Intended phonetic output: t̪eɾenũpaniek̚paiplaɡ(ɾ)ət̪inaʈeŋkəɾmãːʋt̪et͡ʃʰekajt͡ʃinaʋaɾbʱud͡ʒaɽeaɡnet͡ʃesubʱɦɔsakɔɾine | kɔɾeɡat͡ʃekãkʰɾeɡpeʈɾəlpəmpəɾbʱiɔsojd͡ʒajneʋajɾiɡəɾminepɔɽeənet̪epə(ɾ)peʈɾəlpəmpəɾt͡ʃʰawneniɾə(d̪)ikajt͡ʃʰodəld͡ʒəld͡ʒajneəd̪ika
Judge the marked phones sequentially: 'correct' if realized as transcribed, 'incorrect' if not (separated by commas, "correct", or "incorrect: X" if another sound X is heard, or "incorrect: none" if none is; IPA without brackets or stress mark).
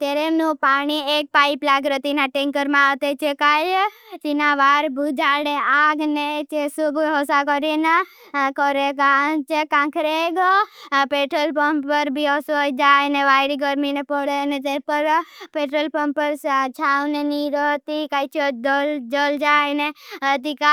correct, correct, incorrect: t̪